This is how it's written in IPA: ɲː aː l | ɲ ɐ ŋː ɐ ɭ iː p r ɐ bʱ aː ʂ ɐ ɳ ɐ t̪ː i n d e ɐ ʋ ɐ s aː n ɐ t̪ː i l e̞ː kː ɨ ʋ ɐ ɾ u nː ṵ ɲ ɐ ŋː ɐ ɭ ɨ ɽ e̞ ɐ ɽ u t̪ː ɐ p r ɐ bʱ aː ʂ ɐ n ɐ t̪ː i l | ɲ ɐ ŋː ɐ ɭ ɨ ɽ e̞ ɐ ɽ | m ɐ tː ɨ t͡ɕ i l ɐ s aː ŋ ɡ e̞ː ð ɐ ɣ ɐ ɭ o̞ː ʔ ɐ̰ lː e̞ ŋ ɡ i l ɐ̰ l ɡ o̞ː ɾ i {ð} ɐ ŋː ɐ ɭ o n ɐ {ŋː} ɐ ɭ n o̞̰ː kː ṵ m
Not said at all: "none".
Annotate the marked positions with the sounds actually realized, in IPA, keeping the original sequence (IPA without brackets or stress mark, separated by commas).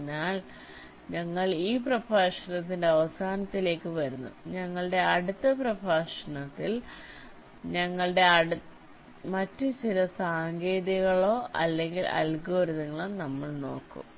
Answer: ð, mː